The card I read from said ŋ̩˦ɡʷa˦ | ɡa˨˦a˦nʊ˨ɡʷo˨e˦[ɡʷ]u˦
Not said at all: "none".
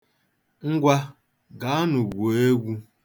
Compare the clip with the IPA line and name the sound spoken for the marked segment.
ɡʷ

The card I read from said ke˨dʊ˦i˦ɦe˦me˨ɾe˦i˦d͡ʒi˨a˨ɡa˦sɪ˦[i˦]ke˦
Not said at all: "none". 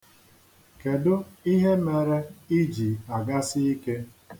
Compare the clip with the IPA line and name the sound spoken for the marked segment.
i˦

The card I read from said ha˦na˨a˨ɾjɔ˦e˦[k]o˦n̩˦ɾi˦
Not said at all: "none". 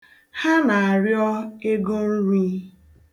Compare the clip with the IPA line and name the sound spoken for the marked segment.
ɡ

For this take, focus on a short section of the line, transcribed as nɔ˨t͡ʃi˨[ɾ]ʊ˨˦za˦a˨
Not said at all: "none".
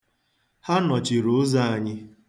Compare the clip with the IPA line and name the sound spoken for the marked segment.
ɾ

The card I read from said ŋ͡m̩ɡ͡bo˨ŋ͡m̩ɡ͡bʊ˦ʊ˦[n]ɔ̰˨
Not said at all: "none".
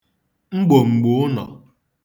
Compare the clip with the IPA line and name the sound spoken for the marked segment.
n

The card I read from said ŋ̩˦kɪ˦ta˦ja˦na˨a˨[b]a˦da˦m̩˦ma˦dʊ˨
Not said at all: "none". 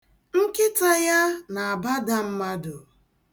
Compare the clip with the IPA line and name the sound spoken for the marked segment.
b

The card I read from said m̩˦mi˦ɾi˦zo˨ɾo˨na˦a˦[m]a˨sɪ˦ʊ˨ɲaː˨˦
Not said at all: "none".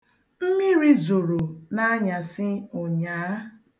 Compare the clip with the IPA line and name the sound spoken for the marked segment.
ɲ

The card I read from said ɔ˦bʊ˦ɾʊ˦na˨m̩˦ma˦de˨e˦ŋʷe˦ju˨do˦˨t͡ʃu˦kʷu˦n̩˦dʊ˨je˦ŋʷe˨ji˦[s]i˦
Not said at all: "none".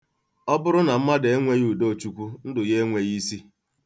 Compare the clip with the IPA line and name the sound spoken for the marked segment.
s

